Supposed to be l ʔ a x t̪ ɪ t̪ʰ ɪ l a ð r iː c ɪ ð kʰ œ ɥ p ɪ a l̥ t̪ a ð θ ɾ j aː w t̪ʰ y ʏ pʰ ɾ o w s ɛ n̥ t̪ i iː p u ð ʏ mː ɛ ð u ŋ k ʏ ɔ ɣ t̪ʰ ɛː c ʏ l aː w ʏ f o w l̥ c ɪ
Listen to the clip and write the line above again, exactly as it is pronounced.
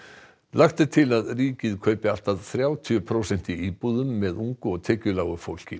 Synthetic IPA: l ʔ a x t̪ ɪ t̪ʰ ɪ l a ð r iː c ɪ ð kʰ œ ɥ p ɪ a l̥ t̪ a ð θ ɾ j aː w t̪ʰ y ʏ pʰ ɾ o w s ɛ n̥ t̪ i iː p u ð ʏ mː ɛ ð u ŋ k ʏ ɔ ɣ t̪ʰ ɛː c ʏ l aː w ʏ f o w l̥ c ɪ